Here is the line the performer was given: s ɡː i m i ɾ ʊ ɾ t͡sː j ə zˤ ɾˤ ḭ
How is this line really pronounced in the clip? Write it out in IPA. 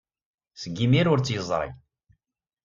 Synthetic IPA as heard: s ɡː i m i ɾ ʊ ɾ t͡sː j ə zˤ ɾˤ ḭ